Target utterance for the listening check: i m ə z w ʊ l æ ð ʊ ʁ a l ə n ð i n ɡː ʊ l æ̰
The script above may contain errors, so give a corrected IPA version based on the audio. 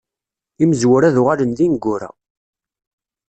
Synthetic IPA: i m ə z w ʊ ɾ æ ð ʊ ʁ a l ə n ð i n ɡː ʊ ɾ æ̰